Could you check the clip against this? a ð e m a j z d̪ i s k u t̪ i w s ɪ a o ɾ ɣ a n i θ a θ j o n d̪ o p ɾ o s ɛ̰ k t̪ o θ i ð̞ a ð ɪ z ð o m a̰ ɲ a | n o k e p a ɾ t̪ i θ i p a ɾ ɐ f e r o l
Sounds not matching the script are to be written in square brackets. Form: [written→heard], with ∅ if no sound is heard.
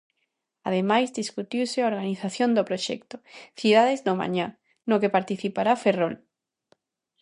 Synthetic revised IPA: a ð e m a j z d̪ i s k u t̪ i w s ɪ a o ɾ ɣ a n i θ a θ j o n d̪ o p ɾ o [s→ʃ] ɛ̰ k t̪ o θ i ð̞ a ð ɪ z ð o m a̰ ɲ a | n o k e p a ɾ t̪ i θ i p a ɾ [ɐ→a] f e r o l